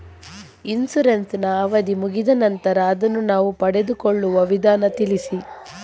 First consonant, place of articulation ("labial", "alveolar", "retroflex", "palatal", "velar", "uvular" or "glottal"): alveolar